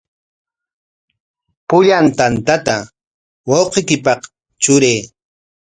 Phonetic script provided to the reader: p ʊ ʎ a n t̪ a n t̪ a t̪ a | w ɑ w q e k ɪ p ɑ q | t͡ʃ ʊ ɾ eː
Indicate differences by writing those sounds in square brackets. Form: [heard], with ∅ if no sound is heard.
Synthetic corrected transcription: p ʊ ʎ a n t̪ a n t̪ a t̪ a | w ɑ w q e k ɪ p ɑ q | t͡ʃ ʊ ɾ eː